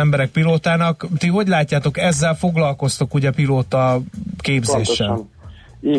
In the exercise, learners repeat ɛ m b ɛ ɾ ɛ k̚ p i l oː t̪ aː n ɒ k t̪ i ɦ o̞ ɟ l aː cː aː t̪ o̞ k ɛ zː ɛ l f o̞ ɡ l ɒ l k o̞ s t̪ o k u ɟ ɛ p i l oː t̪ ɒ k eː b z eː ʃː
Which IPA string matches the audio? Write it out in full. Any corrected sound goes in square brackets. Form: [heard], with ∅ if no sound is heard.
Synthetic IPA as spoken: ɛ m b ɛ ɾ ɛ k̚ p i l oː t̪ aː n ɒ k t̪ i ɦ o̞ ɟ l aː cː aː t̪ o̞ k ɛ zː ɛ l f o̞ ɡ l ɒ l k o̞ s t̪ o k u ɟ ɛ p i l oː t̪ ɒ k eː b z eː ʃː